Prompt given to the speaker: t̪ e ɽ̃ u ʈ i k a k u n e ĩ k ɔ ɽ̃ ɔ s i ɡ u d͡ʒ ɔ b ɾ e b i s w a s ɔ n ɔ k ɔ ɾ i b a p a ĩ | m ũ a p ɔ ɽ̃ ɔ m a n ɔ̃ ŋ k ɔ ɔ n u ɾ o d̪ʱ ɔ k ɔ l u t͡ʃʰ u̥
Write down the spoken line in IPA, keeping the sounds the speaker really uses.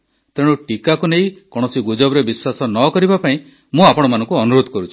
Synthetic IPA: t̪ e ɽ̃ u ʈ i k a k u n e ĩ k ɔ ɽ̃ ɔ s i ɡ u d͡ʒ ɔ b ɾ e b i s w a s ɔ n ɔ k ɔ ɾ i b a p a ĩ | m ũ a p ɔ ɽ̃ ɔ m a n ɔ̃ ŋ k u ɔ n u ɾ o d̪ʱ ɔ k ɔ ɾ u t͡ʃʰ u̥